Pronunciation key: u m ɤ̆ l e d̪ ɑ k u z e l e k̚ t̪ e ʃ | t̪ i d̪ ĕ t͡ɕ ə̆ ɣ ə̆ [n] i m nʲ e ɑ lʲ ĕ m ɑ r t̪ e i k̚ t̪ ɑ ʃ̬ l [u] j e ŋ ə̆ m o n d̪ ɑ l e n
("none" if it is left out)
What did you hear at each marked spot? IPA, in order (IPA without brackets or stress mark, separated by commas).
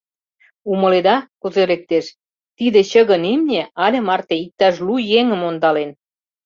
n, u